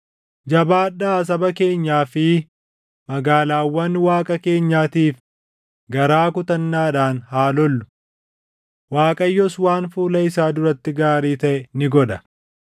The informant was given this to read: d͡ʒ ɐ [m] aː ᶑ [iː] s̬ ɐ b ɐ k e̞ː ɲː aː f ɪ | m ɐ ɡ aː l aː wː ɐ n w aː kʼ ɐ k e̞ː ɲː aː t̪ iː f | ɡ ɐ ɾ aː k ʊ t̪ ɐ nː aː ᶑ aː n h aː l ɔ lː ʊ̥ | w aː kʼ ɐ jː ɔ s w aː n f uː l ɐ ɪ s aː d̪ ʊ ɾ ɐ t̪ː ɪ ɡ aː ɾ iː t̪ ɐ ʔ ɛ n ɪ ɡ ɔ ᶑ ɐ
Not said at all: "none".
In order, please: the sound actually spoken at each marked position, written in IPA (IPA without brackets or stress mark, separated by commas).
b, aː